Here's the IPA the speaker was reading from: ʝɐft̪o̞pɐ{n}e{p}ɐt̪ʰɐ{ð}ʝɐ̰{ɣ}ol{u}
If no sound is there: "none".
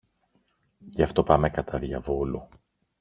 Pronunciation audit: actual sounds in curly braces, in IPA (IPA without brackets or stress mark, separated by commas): m, k, ð, v, u